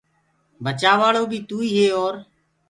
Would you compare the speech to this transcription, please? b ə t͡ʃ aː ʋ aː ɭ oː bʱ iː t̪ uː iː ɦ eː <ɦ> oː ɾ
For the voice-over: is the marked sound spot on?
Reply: no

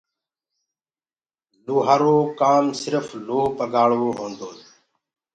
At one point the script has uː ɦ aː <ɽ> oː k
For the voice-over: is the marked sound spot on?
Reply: no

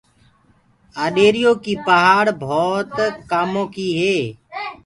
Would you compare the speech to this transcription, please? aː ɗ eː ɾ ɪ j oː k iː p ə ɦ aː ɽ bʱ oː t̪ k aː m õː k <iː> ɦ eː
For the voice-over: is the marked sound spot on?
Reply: yes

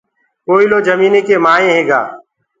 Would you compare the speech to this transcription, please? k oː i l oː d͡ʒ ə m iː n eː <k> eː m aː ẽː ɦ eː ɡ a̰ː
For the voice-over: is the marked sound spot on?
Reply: yes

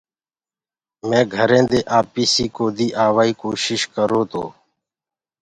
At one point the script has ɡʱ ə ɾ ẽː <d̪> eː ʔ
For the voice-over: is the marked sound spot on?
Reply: yes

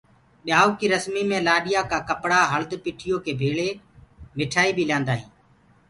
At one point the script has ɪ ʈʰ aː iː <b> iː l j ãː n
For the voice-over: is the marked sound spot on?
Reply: yes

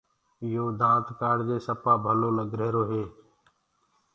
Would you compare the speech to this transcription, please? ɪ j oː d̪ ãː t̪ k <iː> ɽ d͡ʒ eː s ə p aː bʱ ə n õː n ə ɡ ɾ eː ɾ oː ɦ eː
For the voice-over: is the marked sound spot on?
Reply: no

